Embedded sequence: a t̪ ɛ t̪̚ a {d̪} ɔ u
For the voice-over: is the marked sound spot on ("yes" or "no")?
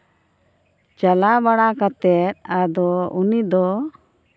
yes